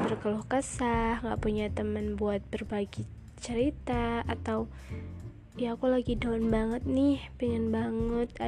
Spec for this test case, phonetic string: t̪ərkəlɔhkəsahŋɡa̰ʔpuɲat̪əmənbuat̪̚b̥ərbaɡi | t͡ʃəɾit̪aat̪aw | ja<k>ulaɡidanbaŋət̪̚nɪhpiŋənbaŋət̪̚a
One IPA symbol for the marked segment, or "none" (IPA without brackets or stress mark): k